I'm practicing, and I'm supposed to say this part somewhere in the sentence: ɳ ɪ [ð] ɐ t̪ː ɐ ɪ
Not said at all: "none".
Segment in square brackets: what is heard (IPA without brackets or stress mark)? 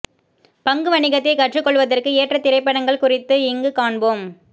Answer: ɣ